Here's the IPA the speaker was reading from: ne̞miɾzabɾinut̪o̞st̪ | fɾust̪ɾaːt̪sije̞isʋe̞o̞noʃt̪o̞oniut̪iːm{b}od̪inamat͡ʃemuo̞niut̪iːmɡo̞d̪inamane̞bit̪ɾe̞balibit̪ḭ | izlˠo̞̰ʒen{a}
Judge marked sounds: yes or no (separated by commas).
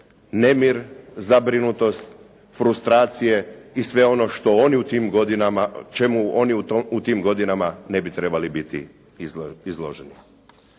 no, no